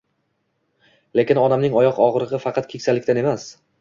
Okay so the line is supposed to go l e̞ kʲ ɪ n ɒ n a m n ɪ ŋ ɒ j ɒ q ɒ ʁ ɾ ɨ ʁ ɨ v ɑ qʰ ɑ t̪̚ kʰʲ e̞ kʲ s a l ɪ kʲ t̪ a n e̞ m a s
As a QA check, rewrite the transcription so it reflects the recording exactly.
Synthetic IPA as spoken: l e̞ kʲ ɪ n ɒ n a m n ɪ ŋ ɒ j ɒ q ɒ ʁ ɾ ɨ ʁ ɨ f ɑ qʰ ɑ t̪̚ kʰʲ e̞ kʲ s a l ɪ kʲ t̪ a n e̞ m a s